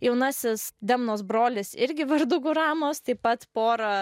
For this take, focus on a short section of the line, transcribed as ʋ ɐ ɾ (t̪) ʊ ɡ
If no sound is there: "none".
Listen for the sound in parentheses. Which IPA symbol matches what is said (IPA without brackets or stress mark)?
d̪